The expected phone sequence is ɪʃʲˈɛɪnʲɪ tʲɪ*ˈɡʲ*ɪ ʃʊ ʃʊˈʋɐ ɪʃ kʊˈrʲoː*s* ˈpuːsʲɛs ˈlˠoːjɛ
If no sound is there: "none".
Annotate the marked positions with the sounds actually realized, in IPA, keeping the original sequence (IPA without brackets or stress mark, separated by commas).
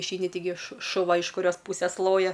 ɡʲ, s